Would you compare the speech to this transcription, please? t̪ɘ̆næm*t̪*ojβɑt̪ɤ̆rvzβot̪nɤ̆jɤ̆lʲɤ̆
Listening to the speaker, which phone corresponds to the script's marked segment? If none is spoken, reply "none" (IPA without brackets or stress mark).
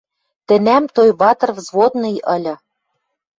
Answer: t̪